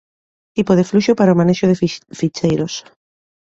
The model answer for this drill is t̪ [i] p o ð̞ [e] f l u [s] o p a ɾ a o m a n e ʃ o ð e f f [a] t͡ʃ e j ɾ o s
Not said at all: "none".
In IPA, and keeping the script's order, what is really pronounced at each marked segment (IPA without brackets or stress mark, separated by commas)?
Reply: i, e, ʃ, i